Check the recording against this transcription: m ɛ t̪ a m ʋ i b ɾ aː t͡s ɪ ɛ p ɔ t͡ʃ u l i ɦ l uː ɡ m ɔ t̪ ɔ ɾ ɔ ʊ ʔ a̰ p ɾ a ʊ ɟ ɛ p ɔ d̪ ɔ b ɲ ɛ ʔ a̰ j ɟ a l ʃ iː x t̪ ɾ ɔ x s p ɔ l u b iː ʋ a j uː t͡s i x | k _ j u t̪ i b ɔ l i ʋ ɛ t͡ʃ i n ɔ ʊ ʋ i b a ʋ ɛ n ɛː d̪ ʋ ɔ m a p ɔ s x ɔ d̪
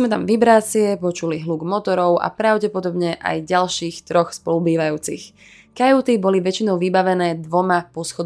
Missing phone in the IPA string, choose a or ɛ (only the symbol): a